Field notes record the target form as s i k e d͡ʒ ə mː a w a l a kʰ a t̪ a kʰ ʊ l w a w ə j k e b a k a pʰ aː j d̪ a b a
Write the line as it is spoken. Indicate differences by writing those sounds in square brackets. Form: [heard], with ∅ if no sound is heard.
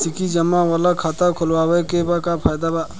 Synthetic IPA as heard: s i k [i] d͡ʒ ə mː a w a l a kʰ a t̪ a kʰ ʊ l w a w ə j k e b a k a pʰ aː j d̪ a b a